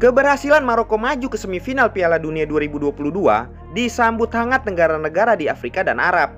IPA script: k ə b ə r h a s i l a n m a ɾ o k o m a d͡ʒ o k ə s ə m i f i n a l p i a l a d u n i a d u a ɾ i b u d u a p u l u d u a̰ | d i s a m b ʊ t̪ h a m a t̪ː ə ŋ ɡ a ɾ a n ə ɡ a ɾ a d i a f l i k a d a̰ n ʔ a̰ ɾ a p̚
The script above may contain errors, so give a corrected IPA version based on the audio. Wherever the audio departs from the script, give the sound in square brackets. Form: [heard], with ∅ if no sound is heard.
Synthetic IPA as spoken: k ə b ə r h a s i l a n m a ɾ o k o m a d͡ʒ [u] k ə s ə m i f i n a l p i a l a d u n i a d u a ɾ i b u d u a p u l u d u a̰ | d i s a m b ʊ t̪ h a [ŋ] a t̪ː ə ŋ ɡ a ɾ a n ə ɡ a ɾ a d i a f [ɾ] i k a d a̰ n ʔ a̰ ɾ a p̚